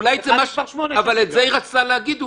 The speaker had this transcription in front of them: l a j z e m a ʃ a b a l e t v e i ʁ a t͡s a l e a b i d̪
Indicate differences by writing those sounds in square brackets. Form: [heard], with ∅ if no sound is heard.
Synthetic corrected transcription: l a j z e m a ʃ a [v] a l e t [z] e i ʁ a t͡s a l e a [ɡ] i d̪